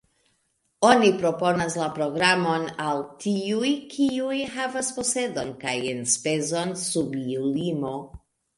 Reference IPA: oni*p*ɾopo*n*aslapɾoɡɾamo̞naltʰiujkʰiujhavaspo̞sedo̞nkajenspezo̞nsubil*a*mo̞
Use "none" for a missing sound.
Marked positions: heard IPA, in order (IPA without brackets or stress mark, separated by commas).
p, n, i